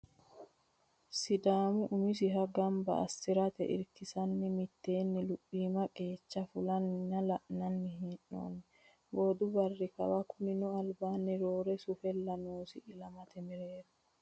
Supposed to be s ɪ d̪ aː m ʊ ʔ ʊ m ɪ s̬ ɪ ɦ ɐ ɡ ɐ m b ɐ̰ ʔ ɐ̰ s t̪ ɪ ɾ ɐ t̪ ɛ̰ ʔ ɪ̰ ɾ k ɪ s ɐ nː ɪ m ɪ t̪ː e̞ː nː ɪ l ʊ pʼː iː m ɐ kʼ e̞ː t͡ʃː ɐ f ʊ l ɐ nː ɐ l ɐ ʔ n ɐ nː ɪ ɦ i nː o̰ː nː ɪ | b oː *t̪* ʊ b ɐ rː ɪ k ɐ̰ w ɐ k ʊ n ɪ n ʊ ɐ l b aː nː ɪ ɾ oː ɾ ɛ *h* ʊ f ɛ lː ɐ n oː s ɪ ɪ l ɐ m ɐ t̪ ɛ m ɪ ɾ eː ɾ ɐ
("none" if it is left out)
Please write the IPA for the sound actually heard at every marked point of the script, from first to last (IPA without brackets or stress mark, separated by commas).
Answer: d̪, s